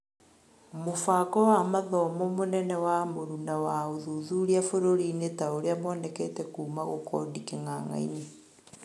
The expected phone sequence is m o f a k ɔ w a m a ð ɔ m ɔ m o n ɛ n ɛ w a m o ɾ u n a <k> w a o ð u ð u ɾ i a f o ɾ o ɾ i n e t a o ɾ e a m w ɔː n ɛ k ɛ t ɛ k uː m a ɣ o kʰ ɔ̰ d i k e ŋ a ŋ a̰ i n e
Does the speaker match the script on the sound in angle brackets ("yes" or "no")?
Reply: no